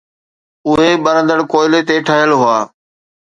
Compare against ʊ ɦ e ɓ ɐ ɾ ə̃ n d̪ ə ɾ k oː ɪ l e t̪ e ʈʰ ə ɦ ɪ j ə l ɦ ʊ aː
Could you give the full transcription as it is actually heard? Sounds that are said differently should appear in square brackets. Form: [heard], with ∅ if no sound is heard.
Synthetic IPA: ʊ ɦ e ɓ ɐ ɾ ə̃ n d̪ ə [ɽ] k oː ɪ l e t̪ e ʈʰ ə ɦ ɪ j ə l ɦ ʊ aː